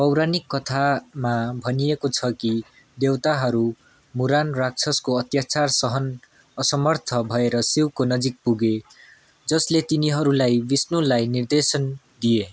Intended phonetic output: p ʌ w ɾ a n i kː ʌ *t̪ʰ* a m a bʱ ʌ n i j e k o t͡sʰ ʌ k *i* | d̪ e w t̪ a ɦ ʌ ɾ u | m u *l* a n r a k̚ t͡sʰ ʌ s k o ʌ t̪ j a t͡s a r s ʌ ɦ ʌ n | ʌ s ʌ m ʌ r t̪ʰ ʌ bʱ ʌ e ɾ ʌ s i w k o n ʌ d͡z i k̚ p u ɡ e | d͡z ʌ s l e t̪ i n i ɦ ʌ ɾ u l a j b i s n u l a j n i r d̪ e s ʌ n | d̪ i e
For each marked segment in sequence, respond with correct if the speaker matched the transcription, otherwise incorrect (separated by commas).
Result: correct, correct, incorrect